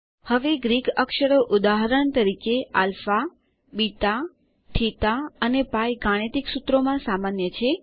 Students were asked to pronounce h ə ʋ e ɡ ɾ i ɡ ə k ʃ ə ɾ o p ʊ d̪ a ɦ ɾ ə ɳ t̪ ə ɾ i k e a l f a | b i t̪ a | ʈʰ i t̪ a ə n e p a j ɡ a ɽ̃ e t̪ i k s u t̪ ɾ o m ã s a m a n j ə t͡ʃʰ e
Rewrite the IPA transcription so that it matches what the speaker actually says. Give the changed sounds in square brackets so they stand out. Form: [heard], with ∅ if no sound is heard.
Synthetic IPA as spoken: h ə ʋ e ɡ ɾ i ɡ ə k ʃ ə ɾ o [ʔ] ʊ d̪ a ɦ ɾ ə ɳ t̪ ə ɾ i k e a l f a | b i t̪ a | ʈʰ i t̪ a ə n e p a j ɡ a ɽ̃ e t̪ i k s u t̪ ɾ o m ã s a m a n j ə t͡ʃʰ e